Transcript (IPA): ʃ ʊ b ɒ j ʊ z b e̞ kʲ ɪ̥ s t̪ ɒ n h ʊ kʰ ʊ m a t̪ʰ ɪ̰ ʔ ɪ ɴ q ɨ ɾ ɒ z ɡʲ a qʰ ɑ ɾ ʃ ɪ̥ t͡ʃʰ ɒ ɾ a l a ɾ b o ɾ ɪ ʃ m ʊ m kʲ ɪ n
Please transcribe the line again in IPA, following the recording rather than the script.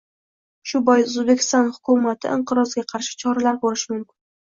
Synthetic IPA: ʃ ʊ b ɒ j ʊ z b e̞ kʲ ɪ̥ s t̪ ɒ n h ʊ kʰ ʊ m a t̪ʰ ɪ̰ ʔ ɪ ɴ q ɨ ɾ ɒ z ɡʲ a qʰ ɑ ɾ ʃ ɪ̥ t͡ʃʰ ɒ ɾ a l a ɾ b o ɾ ɪ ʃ m ʊ m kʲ ɪ n